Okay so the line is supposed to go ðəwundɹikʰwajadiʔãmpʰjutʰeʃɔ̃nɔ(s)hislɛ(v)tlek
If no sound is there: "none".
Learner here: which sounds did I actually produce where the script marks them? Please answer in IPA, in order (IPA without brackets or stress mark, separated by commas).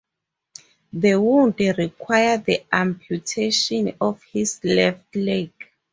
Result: f, f